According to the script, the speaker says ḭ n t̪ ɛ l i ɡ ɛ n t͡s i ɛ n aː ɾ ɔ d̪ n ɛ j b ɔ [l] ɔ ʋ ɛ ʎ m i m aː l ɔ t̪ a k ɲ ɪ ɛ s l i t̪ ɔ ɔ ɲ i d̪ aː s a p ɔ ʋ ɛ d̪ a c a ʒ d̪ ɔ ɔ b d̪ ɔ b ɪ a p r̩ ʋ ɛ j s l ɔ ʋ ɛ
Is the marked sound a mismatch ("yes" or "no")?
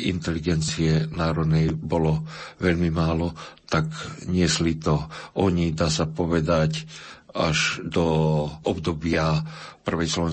no